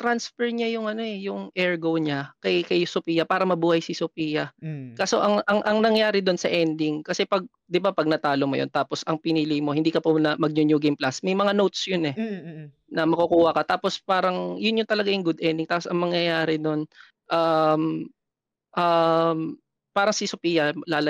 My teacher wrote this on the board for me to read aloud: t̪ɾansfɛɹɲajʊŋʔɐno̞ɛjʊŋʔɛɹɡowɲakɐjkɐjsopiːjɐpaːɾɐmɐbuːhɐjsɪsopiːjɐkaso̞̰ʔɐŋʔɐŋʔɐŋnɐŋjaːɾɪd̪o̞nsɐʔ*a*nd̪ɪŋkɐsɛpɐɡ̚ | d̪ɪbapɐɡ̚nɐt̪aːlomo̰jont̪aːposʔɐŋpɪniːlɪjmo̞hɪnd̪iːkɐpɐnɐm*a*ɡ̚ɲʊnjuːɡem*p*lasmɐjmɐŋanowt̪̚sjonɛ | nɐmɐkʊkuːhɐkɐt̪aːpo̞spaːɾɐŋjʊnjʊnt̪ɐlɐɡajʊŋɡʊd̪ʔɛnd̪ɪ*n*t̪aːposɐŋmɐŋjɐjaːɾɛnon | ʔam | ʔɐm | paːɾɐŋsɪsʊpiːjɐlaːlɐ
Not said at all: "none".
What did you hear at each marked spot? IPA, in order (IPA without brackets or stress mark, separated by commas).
ɛ, ɐ, p, ŋ